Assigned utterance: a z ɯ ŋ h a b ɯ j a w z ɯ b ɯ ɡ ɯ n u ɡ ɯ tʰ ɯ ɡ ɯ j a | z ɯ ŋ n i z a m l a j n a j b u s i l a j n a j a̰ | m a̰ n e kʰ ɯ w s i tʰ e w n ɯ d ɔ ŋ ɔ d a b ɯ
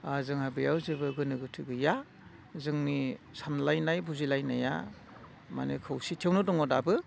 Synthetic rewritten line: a z ɯ ŋ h a b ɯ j a w z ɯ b ɯ ɡ ɯ n ɯ ɡ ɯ tʰ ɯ ɡ ɯ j a | z ɯ ŋ n i s a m l a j n a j b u z i l a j n a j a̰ | m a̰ n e kʰ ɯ w s i tʰ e w n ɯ d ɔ ŋ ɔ d a b ɯ